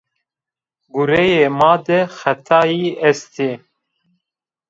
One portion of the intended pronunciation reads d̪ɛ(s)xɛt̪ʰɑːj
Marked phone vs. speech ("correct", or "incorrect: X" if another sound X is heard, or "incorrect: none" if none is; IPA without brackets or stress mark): incorrect: none